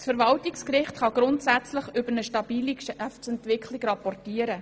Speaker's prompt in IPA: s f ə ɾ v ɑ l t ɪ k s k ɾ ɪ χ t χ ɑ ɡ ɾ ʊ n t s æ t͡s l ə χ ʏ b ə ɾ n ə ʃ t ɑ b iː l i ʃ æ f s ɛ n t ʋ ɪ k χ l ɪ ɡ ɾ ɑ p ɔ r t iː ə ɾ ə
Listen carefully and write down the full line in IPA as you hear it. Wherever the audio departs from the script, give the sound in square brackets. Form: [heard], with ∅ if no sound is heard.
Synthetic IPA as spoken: s f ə ɾ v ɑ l t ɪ k s k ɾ ɪ χ t χ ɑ ɡ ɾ ʊ n t s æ t͡s l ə χ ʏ b ə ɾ n ə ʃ t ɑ b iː l i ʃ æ f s ɛ n t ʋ ɪ k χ l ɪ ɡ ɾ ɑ p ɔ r t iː ə ɾ ə